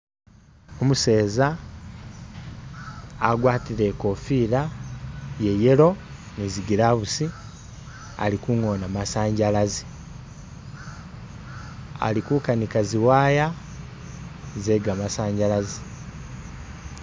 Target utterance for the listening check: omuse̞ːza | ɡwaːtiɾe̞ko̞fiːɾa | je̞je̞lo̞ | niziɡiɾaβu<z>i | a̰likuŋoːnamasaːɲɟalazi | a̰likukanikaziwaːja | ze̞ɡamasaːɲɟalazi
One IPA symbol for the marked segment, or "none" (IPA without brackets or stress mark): s